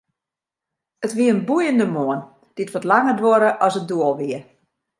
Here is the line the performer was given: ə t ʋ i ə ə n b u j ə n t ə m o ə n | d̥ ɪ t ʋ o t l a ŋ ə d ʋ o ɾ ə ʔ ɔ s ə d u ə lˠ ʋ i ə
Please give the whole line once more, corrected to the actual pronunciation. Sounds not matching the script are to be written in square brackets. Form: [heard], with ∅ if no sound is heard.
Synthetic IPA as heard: ə t ʋ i ə ə n b u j ə n [d] ə m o ə n | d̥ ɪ t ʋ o t l a ŋ ə d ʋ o ɾ ə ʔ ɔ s ə d u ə lˠ ʋ i ə